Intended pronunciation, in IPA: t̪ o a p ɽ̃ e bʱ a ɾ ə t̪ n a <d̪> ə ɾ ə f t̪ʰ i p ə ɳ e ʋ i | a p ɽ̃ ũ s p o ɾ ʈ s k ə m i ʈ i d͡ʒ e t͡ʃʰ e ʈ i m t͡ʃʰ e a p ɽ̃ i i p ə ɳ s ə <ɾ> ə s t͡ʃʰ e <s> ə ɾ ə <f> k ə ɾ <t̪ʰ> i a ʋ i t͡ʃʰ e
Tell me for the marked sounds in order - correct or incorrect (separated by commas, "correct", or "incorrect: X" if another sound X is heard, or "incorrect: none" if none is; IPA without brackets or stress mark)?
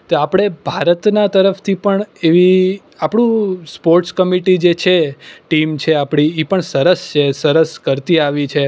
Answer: incorrect: t̪, correct, correct, incorrect: s, incorrect: t̪